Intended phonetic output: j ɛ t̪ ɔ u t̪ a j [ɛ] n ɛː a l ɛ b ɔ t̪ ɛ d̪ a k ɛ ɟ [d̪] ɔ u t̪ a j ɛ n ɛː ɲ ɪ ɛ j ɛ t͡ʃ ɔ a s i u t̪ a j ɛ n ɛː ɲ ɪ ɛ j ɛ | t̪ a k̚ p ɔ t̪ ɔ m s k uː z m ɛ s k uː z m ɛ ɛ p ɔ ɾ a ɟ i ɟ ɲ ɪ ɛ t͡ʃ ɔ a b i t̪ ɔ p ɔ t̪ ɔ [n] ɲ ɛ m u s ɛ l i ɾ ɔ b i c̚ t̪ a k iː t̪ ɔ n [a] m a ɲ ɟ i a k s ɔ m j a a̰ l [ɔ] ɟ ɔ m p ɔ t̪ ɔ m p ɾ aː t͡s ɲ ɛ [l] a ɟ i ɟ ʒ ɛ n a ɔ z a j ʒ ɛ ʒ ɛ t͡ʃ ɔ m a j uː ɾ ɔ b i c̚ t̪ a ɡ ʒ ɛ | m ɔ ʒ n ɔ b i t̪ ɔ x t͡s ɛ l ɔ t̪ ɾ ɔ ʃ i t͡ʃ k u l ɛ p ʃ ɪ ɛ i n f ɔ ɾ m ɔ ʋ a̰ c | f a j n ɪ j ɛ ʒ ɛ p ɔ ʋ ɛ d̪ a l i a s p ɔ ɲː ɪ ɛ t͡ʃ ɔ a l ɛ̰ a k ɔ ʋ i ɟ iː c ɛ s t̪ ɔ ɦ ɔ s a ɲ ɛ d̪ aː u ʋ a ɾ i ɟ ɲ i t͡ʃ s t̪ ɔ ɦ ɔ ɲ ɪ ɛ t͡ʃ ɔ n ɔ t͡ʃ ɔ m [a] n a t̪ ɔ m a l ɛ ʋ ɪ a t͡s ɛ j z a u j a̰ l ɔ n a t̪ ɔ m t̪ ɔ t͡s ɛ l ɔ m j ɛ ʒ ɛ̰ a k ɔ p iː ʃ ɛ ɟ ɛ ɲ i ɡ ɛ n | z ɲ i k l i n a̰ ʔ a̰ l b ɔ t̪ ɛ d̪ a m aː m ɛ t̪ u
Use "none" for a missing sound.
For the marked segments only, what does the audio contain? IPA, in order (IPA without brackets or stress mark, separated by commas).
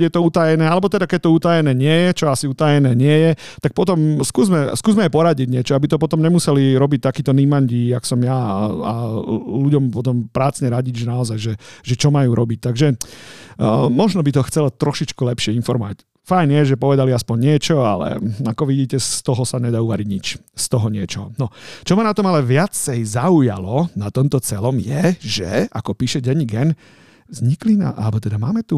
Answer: ɛ, t̪, m, i, u, ɾ, a